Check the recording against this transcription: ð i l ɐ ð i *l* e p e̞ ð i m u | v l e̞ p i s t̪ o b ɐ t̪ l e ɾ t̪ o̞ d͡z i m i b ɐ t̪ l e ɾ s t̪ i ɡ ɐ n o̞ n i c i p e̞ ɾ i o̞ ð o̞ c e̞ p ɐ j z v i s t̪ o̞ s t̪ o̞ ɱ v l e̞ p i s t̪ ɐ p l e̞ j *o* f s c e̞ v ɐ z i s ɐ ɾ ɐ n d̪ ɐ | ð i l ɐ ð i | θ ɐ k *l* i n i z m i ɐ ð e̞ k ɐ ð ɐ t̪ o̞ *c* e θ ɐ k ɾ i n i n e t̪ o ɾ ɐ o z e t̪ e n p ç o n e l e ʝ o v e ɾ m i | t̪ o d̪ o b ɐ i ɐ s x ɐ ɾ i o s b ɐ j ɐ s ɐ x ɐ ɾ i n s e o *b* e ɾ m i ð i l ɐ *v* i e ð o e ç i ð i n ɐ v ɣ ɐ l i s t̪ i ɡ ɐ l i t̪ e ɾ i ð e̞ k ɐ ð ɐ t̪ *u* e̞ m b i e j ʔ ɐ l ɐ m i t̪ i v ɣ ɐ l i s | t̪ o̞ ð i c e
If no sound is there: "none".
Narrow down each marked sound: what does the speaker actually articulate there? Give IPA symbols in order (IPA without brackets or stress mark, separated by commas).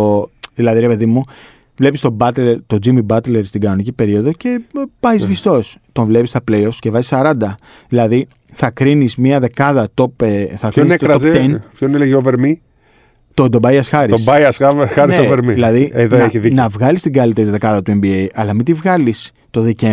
ɾ, o, ɾ, p, v, ð, u